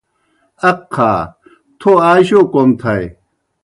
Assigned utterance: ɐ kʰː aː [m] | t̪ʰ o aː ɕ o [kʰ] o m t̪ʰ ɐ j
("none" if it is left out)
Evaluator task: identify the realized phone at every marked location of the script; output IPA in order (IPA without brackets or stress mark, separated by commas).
none, k